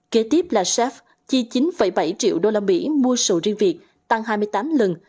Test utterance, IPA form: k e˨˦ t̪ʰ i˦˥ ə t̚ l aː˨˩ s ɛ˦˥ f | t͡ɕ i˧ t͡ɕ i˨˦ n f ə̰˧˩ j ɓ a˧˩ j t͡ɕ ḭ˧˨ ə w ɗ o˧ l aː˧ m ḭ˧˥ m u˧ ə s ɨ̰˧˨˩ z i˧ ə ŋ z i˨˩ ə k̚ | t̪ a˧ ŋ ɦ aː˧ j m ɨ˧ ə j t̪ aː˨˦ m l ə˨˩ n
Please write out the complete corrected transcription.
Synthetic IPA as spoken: k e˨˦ t̪ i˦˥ ə p̚ l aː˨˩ s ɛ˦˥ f | t͡ɕ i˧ t͡ɕ i˨˦ n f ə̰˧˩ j ɓ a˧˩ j t͡ɕ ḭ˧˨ ə w ɗ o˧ l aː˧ m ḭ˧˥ m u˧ ə s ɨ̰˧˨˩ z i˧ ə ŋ v i˨˩ ə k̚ | t̪ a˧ ŋ ɦ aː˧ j m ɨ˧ ə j t̪ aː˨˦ m l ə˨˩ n